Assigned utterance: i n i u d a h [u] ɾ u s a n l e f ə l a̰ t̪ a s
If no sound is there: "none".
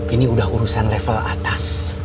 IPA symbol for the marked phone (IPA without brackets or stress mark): u